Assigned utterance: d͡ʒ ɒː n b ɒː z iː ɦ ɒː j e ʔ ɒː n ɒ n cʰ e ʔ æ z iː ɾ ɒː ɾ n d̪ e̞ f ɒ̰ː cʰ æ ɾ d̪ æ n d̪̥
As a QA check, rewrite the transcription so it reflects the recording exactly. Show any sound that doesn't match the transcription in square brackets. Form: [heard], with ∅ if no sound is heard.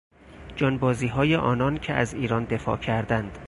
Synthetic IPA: d͡ʒ ɒː n b ɒː z iː ɦ ɒː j e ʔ ɒː n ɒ n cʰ e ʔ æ z iː ɾ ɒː [∅] n d̪ e̞ f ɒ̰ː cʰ æ ɾ d̪ æ n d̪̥

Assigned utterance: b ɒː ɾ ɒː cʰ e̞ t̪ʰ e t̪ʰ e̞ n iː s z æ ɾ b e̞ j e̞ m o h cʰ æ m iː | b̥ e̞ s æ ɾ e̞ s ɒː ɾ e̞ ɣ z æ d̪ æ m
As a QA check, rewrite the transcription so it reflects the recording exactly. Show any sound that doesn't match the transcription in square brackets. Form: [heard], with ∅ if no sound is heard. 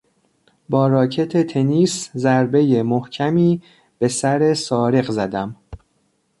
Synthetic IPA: b ɒː ɾ ɒː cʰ e̞ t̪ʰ e t̪ʰ e̞ n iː s z æ ɾ b e̞ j e̞ m o h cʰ æ m iː | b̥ e̞ s æ ɾ e̞ s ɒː ɾ e̞ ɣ z æ d̪ æ m

